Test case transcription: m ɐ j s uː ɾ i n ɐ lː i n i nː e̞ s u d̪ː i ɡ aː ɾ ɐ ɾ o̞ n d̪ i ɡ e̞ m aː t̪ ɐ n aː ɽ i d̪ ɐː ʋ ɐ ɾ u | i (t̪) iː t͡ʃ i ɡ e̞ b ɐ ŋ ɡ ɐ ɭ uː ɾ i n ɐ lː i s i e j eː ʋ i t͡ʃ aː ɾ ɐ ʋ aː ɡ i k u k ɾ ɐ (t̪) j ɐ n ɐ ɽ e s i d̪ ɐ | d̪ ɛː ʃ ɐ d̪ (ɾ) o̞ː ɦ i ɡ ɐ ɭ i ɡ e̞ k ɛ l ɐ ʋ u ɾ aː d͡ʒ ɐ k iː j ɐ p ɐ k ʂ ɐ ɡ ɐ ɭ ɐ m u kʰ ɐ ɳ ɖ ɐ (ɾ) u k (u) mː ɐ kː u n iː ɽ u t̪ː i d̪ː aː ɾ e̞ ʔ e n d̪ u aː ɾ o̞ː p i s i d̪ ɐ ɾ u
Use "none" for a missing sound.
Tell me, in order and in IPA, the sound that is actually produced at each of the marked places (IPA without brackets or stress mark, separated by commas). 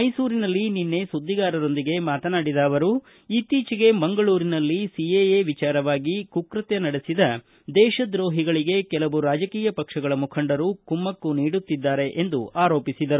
t̪, t̪, ɾ, ɾ, u